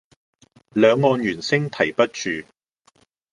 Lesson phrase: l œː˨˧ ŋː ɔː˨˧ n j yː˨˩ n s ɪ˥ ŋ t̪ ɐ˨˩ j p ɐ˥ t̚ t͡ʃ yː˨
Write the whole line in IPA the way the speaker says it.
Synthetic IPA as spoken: l œː˨˧ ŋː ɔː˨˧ n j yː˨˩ n s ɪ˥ ŋ t̪ʰ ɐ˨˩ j p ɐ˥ t̚ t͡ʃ yː˨

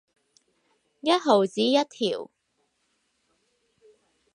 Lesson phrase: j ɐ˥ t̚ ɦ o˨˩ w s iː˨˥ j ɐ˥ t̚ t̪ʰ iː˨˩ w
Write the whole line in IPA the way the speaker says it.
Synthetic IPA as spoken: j ɐ˥ t̚ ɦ o˨˩ w t͡s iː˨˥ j ɐ˥ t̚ t̪ʰ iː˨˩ w

